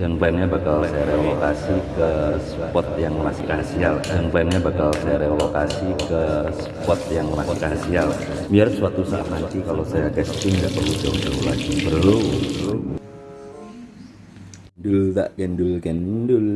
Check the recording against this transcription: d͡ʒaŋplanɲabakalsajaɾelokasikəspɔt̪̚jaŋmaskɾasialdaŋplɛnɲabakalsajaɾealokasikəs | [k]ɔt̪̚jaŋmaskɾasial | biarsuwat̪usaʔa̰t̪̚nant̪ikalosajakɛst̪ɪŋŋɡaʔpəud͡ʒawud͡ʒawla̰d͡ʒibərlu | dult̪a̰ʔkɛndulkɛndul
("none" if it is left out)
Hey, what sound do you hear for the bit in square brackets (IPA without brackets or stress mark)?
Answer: p